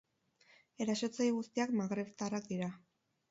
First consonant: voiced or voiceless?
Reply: voiced